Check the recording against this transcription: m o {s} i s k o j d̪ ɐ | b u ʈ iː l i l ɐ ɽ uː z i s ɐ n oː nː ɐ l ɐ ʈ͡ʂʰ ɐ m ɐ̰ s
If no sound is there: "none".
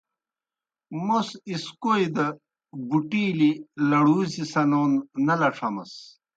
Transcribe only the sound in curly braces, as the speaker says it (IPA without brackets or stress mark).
s